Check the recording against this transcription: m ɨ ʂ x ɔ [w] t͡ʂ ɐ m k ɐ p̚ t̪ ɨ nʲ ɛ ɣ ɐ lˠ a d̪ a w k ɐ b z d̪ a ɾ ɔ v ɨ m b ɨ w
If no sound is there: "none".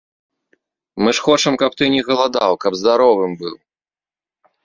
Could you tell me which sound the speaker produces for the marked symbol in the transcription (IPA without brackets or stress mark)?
none